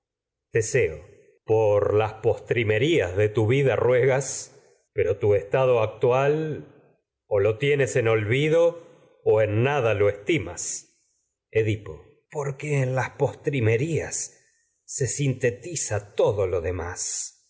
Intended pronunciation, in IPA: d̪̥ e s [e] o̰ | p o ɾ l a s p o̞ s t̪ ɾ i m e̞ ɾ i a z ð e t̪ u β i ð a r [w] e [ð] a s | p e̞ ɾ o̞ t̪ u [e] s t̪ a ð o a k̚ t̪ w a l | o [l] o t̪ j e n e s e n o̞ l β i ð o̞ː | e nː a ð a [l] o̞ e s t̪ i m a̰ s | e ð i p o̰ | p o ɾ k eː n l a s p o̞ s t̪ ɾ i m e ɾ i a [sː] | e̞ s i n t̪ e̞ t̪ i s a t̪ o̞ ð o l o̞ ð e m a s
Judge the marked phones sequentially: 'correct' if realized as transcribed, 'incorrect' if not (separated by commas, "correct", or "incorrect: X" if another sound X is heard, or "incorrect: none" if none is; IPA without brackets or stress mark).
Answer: correct, correct, incorrect: ɣ, correct, correct, correct, correct